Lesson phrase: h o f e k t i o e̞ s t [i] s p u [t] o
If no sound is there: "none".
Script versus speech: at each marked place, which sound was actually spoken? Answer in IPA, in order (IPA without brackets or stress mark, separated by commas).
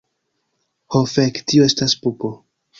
a, p